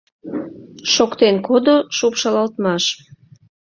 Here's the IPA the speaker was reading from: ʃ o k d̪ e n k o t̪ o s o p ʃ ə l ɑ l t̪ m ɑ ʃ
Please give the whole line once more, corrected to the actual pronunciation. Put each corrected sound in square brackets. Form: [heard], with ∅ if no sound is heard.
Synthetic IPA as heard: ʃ o k [t̪] e n k o [d̪] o [ʃ] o p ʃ [ɑ] l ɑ l t̪ m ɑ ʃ